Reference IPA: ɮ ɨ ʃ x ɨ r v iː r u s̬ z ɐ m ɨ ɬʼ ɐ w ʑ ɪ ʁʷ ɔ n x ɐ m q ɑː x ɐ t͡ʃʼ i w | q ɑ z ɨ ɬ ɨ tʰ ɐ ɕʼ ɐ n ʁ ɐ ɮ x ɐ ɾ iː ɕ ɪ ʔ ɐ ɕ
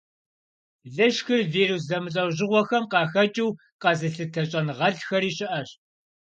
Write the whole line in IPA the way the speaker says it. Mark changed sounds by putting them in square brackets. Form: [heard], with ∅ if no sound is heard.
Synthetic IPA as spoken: ɮ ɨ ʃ x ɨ r v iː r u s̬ z ɐ m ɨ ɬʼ ɐ w ʑ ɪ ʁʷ ɔ [∅] x ɐ m q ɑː x ɐ t͡ʃʼ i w | q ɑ z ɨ ɬ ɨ tʰ ɐ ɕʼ ɐ n ʁ ɐ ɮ x ɐ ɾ iː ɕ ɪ ʔ ɐ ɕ